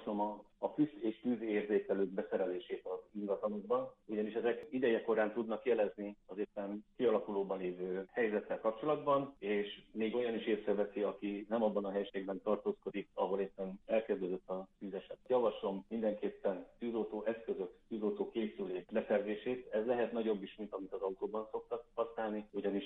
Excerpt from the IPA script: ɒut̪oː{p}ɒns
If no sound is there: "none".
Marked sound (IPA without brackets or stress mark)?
b